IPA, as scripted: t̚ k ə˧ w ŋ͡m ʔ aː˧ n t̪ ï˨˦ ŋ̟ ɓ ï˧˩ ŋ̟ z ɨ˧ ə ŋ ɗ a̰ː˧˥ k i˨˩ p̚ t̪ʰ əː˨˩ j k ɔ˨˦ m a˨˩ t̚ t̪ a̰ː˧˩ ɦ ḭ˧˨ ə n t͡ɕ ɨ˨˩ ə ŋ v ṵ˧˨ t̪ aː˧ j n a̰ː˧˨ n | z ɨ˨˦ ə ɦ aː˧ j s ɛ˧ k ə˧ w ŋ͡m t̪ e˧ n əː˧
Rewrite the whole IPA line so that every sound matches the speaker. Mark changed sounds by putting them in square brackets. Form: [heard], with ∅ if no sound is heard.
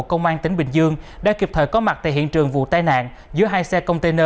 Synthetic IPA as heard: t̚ k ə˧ w ŋ͡m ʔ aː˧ n t̪ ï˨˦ ŋ̟ ɓ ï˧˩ ŋ̟ z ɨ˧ ə ŋ ɗ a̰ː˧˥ k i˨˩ p̚ t̪ʰ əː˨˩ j k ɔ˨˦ m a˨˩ t̚ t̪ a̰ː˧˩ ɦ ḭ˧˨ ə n t͡ɕ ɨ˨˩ ə ŋ v ṵ˧˨ t̪ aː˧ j n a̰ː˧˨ n | z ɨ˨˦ ə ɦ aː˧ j s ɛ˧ k ə˧ w ŋ͡m t̪ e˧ n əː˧